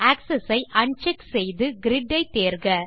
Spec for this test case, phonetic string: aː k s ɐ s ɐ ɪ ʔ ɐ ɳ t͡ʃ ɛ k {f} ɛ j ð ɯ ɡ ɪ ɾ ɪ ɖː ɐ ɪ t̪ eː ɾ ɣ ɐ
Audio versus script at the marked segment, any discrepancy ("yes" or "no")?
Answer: yes